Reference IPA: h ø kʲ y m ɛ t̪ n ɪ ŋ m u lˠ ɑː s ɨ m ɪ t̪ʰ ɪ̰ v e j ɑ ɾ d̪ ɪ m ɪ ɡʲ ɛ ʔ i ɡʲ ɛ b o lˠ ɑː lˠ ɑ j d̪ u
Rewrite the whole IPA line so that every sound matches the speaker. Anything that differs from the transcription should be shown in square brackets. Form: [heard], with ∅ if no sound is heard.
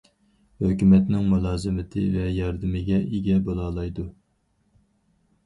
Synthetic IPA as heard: h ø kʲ y m ɛ t̪ n ɪ ŋ m u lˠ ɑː [z] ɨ m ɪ t̪ʰ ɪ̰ v [ɛ] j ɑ ɾ d̪ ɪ m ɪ ɡʲ ɛ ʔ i ɡʲ ɛ b o lˠ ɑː lˠ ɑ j d̪ u